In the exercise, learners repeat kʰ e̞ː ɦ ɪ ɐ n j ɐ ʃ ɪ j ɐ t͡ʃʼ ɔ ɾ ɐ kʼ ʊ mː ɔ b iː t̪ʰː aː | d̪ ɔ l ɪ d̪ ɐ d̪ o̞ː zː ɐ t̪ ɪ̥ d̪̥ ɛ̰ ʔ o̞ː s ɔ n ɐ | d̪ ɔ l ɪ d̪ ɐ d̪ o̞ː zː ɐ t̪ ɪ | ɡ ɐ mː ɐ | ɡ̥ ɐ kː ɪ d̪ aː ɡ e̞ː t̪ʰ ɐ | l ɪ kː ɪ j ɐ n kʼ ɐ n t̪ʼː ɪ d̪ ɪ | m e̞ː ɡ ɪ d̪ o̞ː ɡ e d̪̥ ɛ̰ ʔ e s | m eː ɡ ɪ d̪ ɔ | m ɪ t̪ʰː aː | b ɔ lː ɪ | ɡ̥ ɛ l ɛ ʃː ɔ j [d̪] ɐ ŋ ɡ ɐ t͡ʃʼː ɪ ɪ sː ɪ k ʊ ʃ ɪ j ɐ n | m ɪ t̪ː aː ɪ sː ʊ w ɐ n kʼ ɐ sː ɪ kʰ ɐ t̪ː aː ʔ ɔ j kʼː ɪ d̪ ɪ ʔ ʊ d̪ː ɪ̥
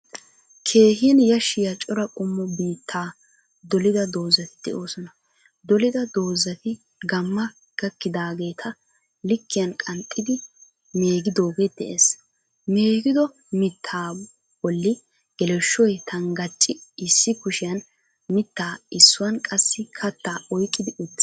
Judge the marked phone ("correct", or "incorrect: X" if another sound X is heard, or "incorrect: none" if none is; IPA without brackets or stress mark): incorrect: t̪